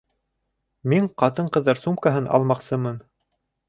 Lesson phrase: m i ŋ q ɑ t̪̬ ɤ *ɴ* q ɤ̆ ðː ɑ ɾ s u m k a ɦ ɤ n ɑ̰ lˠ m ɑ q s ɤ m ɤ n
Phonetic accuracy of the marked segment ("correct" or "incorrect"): correct